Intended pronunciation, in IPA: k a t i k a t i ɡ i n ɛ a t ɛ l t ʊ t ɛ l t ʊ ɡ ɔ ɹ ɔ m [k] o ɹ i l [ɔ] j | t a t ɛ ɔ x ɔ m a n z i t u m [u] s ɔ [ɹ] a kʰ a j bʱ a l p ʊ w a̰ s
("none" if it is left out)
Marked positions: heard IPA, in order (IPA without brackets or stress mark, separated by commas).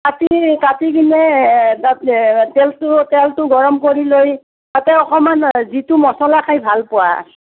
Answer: k, o, ɔ, l